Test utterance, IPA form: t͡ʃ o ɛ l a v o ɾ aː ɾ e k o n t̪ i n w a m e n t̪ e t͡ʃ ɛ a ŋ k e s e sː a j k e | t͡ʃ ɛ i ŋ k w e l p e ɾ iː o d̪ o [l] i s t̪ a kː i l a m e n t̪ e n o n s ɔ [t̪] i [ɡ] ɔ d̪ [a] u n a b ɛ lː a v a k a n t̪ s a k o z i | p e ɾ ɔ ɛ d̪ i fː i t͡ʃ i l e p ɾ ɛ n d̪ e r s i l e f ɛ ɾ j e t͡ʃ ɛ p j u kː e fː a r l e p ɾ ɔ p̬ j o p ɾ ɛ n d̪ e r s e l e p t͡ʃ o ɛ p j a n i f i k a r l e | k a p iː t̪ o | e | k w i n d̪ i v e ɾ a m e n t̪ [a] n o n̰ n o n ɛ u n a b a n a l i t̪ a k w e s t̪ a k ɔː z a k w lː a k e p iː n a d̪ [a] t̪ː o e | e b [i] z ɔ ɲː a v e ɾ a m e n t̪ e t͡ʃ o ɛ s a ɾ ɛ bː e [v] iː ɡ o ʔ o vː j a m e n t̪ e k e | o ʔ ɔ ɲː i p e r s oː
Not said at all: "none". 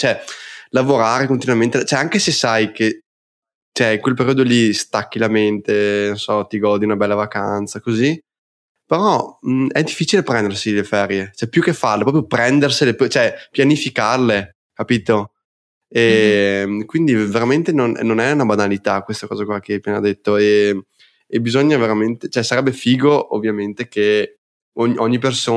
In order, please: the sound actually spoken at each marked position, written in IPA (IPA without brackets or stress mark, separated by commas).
l, t̪, ɡ, i, e, e, i, f